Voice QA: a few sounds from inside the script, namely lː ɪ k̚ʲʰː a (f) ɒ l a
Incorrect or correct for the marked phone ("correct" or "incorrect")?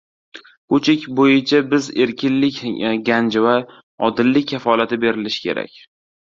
correct